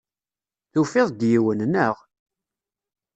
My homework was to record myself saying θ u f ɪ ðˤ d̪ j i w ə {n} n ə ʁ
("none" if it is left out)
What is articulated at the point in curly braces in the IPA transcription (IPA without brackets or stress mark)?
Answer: n